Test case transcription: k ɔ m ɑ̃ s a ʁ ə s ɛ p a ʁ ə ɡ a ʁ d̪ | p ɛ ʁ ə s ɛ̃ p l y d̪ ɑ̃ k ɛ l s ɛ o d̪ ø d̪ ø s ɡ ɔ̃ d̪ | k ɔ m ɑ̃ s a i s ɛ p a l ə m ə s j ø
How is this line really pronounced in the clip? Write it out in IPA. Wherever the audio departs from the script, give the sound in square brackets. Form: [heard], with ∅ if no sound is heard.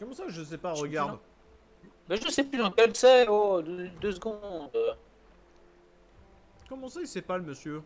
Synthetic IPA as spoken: k ɔ m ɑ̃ s a [ʒ] ə s ɛ p a ʁ ə ɡ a ʁ d̪ | [b] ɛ [ʒ] ə s [ɛ] p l y d̪ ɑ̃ k ɛ l s ɛ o d̪ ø d̪ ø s ɡ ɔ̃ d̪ | k ɔ m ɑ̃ s a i s ɛ p a l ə m ə s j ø